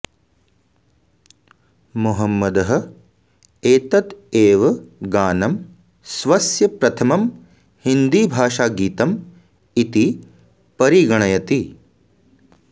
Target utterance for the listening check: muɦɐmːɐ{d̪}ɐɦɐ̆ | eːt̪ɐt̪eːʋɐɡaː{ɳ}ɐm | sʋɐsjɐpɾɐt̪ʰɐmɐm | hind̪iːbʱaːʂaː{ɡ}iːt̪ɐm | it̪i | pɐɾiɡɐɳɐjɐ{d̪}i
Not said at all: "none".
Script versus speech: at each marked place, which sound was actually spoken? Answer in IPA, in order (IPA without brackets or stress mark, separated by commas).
d̪, n, ɡ, t̪